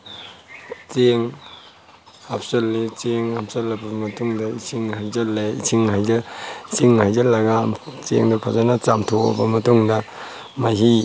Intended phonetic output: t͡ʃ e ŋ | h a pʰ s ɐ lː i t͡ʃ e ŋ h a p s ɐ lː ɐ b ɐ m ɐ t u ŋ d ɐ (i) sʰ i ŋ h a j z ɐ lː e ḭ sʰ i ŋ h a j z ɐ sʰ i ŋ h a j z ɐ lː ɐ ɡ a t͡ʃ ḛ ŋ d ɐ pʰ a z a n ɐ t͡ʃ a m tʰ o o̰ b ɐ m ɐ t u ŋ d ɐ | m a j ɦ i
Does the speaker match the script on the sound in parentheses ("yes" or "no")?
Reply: yes